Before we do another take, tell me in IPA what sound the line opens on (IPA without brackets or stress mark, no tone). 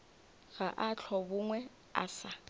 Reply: ɣ